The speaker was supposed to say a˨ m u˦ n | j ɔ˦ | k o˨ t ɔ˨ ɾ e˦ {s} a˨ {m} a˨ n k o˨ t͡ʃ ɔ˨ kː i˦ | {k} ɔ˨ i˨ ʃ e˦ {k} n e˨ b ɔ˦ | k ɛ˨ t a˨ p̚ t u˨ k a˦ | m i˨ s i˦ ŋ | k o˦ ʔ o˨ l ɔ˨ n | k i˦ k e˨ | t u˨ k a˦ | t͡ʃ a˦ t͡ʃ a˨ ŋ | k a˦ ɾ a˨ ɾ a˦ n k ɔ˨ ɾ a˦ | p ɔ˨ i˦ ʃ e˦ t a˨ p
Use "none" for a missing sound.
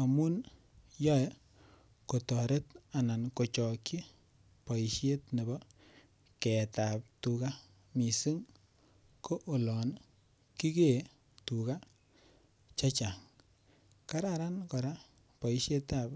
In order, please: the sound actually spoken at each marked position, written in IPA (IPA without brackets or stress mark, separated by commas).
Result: t, n, p, t